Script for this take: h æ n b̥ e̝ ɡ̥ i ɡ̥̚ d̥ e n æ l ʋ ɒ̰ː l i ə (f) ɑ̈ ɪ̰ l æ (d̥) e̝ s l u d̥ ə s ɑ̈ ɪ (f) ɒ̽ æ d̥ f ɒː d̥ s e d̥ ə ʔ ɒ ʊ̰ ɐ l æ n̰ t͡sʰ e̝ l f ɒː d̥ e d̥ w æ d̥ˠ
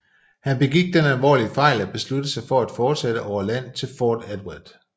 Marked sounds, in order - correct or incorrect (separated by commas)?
correct, incorrect, correct